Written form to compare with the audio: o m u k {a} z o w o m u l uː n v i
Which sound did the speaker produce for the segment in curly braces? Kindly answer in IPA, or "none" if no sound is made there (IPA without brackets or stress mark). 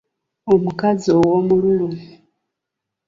a